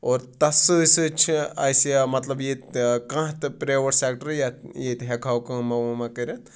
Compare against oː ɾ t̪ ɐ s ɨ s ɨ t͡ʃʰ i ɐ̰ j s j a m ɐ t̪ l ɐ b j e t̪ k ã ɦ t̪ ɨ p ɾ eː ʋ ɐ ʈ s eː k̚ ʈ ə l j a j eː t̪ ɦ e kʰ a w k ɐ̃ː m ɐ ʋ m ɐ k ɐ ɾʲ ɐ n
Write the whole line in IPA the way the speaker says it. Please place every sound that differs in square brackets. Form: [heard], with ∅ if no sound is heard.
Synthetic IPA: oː ɾ t̪ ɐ s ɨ s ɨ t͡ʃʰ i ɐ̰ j s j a m ɐ t̪ l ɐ b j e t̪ k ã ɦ t̪ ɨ p ɾ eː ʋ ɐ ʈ s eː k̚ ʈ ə [ɾ] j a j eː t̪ ɦ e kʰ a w k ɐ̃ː m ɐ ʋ m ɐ k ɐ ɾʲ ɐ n

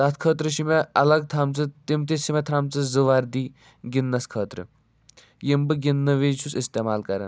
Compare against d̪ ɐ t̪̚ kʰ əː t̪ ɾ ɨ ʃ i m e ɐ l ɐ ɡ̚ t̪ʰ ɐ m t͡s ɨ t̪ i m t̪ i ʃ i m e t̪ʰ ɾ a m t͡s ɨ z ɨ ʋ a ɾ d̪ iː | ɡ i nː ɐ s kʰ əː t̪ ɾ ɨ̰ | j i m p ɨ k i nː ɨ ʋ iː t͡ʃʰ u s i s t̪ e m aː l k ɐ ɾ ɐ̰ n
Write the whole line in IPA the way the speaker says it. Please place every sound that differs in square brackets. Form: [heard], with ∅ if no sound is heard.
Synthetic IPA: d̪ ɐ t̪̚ kʰ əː t̪ ɾ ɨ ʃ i m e ɐ l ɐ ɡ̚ t̪ʰ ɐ m t͡s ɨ t̪ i m t̪ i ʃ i m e t̪ʰ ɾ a m t͡s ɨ z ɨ ʋ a ɾ d̪ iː | ɡ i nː ɐ s kʰ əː t̪ ɾ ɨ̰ | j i m [b] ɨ [ɡ] i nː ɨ ʋ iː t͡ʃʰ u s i s t̪ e m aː l k ɐ ɾ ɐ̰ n

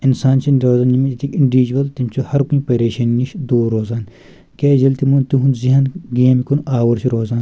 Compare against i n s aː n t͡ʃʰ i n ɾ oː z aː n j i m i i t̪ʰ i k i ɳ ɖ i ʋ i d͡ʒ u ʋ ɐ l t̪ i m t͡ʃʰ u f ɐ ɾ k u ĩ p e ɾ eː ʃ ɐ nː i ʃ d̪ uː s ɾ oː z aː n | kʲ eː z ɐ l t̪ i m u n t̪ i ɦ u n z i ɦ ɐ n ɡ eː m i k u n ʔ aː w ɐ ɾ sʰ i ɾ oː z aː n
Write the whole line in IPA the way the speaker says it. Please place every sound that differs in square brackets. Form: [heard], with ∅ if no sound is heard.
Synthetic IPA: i n s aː n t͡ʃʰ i n ɾ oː z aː n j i m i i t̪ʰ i k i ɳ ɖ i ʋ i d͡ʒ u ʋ ɐ l t̪ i m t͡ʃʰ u [h] ɐ ɾ k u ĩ p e ɾ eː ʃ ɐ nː i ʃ d̪ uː [∅] ɾ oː z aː n | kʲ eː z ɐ l t̪ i m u n t̪ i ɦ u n z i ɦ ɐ n ɡ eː m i k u n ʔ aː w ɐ ɾ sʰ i ɾ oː z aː n

